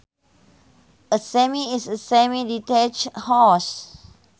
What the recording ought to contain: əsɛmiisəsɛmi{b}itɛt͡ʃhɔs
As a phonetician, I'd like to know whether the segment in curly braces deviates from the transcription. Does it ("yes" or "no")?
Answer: yes